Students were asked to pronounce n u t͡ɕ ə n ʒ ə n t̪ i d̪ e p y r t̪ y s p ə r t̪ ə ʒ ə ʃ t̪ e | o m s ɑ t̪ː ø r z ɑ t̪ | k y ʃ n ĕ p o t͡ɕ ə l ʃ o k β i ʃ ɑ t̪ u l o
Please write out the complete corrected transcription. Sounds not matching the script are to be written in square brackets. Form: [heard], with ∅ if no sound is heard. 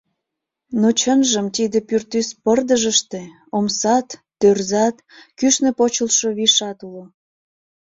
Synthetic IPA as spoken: n [o] t͡ɕ ə n ʒ ə [m] t̪ i d̪ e p y r t̪ y s p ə r [d̪] ə ʒ ə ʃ t̪ e | o m s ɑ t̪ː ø r z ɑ t̪ | k y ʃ n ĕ p o t͡ɕ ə l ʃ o [∅] β i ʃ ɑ t̪ u l o